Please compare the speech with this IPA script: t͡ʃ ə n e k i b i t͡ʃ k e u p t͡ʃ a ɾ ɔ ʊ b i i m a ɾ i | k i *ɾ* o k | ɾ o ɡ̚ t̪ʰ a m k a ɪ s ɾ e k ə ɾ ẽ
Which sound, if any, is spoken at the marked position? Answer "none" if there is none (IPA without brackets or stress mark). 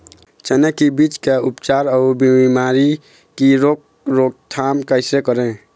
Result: ɾ